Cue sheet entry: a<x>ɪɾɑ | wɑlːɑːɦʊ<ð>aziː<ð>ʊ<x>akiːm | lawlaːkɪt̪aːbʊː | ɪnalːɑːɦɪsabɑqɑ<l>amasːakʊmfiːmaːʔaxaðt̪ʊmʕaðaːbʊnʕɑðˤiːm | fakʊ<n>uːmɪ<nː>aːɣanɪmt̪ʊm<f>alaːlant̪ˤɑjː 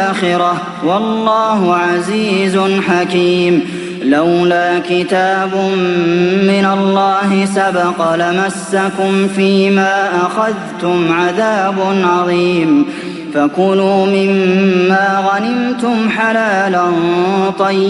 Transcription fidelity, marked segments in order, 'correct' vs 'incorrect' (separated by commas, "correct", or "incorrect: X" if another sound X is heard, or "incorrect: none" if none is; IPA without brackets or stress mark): correct, incorrect: ʕ, incorrect: z, incorrect: ħ, correct, correct, incorrect: mː, incorrect: ħ